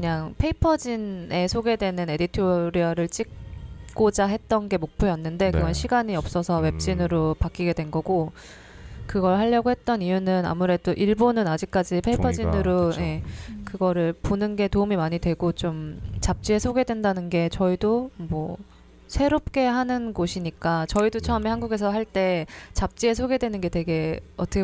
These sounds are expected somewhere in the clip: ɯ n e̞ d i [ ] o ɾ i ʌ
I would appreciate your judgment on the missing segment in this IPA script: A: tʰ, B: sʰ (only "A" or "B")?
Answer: A